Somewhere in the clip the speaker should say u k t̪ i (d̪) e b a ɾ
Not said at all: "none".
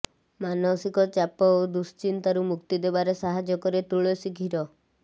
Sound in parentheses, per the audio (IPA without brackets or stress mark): d̪